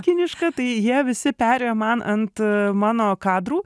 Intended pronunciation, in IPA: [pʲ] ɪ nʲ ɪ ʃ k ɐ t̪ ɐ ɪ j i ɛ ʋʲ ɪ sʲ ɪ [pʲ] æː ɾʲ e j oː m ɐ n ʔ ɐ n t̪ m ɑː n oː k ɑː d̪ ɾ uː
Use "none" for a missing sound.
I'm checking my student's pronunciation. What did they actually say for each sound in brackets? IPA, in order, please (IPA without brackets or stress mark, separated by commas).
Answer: kʲ, pʲ